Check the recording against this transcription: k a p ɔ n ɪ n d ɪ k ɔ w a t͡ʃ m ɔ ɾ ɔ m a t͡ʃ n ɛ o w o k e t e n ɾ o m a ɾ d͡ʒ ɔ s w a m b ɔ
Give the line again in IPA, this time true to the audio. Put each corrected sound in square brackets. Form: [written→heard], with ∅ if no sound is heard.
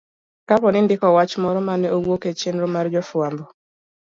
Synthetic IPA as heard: k a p ɔ n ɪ n d ɪ k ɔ w a t͡ʃ m ɔ ɾ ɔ m a [t͡ʃ→∅] n ɛ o w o k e [t→t͡ʃ] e n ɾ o m a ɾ d͡ʒ ɔ [s→f] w a m b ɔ